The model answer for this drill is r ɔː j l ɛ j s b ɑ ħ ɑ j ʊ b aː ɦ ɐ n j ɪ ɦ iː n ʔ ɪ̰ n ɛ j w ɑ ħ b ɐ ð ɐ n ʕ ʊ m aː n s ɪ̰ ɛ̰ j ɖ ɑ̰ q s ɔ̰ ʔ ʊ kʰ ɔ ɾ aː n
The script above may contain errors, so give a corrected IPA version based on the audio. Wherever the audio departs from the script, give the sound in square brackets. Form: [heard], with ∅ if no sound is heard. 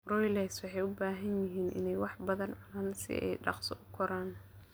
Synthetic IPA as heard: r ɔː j l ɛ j s [w] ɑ ħ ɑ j ʊ b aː ɦ ɐ n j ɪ ɦ iː n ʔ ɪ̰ n ɛ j w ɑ ħ b ɐ ð ɐ n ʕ ʊ [n] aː n s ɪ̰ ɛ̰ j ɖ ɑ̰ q s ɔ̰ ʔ ʊ kʰ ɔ ɾ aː n